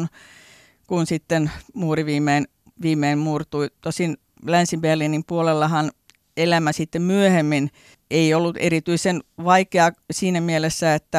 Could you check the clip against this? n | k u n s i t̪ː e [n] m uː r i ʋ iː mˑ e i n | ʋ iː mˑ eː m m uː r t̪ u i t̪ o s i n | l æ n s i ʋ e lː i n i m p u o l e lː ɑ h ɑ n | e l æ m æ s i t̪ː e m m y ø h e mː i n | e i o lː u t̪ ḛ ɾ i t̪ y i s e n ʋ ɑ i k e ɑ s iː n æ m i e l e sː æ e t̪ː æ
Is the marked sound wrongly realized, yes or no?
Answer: no